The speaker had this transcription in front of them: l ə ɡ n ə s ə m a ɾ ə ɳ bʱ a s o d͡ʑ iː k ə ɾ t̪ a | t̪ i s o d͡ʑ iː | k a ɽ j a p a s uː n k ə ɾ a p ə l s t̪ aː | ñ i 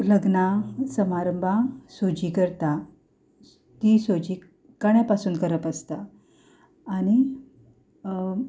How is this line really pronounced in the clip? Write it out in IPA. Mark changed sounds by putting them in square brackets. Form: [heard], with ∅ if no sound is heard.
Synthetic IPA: l ə ɡ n [a] s ə m a ɾ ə [m] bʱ a s o d͡ʑ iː k ə ɾ t̪ a | t̪ i s o d͡ʑ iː | k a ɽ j a p a s uː n k ə ɾ [ə] p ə [∅] s t̪ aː | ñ i